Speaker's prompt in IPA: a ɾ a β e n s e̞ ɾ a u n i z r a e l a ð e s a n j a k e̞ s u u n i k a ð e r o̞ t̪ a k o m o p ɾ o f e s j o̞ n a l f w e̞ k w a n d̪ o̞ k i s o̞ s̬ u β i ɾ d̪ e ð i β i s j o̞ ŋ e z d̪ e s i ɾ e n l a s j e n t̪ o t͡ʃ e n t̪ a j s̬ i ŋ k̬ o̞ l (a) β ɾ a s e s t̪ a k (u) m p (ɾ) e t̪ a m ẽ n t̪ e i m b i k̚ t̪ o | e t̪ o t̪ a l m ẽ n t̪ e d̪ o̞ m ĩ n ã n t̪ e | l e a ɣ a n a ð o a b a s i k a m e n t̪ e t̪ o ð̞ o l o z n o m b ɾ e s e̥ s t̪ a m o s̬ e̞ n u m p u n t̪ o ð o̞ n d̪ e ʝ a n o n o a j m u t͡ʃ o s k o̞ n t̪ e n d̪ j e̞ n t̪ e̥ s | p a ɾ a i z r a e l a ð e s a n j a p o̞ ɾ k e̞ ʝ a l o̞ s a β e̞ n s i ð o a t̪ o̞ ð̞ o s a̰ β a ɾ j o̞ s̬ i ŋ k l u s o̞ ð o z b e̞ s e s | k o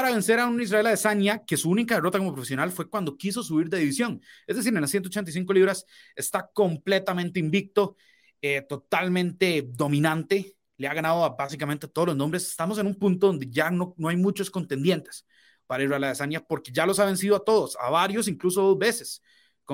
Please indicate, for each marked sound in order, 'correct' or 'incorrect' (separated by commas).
incorrect, incorrect, incorrect